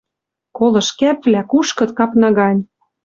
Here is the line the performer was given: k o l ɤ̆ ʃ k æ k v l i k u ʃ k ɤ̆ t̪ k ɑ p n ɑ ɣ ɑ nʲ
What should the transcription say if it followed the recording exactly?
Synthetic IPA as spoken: k o l ɤ̆ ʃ k æ p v l æ k u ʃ k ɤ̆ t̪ k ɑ p n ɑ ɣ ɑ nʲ